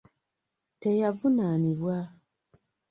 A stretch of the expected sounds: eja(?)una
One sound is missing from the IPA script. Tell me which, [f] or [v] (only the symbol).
v